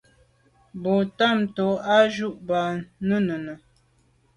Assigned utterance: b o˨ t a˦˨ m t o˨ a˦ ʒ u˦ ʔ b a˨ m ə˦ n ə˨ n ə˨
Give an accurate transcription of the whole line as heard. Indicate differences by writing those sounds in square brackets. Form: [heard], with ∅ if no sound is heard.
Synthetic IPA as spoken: b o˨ t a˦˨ m t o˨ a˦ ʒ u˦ ʔ b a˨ [n] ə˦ n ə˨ n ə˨